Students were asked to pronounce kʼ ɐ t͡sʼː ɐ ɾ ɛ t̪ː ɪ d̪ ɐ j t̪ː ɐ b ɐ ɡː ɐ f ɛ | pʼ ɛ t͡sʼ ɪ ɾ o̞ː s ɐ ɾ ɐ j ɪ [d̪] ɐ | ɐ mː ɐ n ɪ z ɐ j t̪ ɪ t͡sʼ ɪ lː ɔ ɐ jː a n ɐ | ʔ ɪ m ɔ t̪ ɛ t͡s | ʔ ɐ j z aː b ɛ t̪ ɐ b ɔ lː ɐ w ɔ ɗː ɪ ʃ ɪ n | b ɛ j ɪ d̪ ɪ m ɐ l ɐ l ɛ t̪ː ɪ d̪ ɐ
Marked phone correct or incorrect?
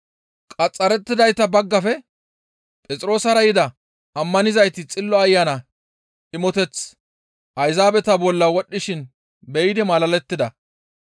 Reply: correct